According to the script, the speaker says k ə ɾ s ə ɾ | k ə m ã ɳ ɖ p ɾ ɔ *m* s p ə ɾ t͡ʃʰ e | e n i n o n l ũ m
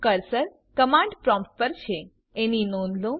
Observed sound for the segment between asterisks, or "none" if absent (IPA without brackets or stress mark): m